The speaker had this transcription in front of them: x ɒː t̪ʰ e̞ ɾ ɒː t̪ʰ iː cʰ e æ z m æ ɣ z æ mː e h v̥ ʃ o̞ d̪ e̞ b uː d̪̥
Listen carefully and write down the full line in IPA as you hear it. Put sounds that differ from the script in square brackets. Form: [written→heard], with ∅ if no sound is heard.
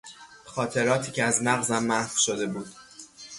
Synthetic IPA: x ɒː t̪ʰ e̞ ɾ ɒː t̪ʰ iː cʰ e æ z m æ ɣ z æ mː [e→æ] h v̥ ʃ o̞ d̪ e̞ b uː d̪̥